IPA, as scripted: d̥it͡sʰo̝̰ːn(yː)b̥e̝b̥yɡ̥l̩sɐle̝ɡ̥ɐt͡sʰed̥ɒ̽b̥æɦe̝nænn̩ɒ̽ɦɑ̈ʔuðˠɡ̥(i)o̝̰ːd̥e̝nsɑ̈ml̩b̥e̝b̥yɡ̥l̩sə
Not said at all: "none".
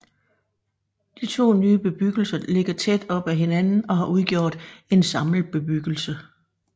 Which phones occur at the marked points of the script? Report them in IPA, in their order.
yː, j

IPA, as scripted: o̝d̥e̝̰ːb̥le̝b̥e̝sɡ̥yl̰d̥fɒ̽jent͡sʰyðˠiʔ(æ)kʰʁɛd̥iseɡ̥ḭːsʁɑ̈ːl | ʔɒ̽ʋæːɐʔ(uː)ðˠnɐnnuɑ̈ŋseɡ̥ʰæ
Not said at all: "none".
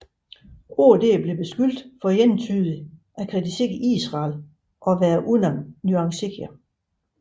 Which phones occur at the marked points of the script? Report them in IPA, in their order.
æ, u

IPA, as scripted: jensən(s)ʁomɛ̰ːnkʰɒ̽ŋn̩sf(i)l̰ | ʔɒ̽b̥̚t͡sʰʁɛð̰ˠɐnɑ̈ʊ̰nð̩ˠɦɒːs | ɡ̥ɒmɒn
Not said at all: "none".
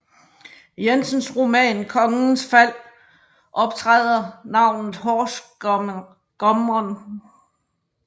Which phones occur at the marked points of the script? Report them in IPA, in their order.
s, æ

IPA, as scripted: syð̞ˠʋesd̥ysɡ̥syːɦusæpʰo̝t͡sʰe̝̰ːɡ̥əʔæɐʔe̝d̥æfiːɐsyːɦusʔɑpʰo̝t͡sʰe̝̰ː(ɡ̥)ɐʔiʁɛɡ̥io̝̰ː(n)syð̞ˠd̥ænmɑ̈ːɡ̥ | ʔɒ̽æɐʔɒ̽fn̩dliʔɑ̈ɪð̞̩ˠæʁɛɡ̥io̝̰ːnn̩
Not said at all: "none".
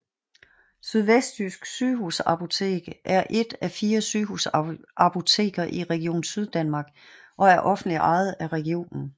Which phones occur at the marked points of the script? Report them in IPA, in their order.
ɡ̥, n

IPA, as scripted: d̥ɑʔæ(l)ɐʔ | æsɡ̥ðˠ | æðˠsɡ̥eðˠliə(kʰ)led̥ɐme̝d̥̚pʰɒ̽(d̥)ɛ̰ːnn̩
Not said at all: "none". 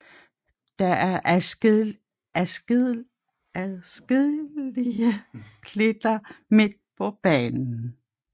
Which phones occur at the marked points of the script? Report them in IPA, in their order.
none, kʰ, b̥

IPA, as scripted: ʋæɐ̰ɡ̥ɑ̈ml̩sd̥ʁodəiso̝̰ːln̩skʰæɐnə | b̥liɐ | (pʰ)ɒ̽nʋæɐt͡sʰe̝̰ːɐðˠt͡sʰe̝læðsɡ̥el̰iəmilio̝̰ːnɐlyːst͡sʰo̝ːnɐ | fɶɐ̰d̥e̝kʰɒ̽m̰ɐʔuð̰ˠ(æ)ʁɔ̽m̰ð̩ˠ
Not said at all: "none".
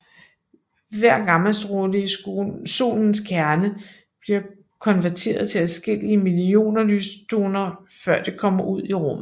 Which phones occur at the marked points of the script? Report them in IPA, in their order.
kʰ, i

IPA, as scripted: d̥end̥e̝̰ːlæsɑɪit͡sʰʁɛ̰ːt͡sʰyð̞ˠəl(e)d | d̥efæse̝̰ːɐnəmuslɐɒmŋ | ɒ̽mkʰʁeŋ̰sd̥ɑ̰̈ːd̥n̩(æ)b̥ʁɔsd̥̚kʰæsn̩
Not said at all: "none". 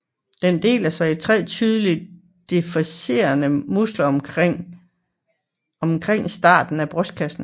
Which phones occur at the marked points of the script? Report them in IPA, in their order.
i, æ

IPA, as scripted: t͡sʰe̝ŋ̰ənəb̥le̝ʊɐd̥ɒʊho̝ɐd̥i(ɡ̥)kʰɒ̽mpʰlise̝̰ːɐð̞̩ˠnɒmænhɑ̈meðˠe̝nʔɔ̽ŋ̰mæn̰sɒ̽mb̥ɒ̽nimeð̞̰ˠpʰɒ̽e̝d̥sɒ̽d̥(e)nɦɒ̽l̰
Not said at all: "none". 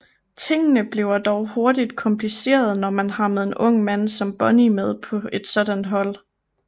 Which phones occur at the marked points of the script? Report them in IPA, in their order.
d̥, æ

